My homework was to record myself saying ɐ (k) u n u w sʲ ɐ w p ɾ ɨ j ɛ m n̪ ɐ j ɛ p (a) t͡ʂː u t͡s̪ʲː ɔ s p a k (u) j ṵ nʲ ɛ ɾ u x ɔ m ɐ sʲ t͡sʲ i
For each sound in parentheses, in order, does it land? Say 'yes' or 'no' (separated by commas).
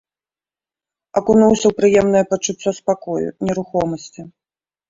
yes, no, no